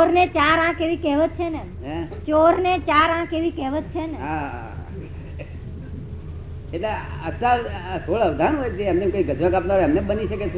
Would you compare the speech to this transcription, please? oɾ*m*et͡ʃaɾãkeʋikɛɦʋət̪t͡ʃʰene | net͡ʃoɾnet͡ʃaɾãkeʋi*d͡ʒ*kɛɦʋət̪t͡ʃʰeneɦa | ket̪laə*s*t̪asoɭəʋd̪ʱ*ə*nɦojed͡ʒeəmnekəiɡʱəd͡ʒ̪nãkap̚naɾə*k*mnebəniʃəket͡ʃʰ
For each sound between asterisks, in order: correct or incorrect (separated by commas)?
incorrect, incorrect, correct, incorrect, incorrect